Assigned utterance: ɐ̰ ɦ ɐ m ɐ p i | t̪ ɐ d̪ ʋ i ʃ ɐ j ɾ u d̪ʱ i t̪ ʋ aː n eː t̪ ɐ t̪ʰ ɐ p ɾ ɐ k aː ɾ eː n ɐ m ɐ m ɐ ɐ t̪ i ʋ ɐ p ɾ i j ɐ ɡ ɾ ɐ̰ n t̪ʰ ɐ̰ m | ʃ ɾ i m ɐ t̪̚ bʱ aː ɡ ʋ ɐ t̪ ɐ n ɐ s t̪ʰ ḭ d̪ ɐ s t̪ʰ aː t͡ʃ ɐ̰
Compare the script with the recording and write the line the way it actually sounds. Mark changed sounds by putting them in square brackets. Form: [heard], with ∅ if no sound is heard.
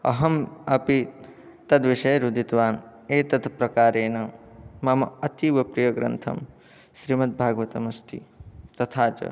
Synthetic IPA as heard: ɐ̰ ɦ ɐ m ɐ p i | t̪ ɐ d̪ ʋ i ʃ ɐ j ɾ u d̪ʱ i t̪ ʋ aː n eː t̪ ɐ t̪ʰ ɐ p ɾ ɐ k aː ɾ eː n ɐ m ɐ m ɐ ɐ t̪ i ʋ ɐ p ɾ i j ɐ ɡ ɾ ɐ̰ n t̪ʰ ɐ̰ m | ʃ ɾ i m ɐ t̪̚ bʱ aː ɡ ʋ ɐ t̪ ɐ [m] ɐ s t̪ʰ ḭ [t̪] ɐ [∅] t̪ʰ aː t͡ʃ ɐ̰